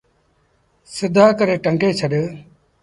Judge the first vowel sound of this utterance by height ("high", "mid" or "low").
high